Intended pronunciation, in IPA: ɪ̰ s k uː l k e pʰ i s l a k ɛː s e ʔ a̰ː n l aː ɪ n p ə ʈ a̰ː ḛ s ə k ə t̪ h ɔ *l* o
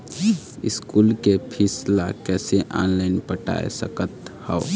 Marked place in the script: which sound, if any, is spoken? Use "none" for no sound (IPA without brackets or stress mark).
none